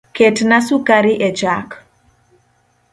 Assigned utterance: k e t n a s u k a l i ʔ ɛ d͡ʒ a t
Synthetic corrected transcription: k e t n a s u k a ɾ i ʔ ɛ d͡ʒ a k